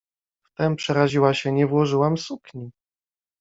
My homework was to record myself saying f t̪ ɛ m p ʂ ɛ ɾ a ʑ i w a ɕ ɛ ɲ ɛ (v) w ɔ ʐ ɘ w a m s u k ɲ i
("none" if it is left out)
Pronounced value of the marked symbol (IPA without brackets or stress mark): v